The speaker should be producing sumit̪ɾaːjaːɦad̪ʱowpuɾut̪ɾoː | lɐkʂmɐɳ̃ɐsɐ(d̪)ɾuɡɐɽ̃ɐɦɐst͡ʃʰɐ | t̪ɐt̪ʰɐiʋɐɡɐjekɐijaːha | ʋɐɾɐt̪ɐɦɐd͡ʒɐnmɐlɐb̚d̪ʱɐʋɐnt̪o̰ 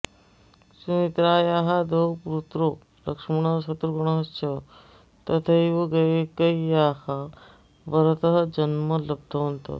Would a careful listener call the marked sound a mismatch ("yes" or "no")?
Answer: yes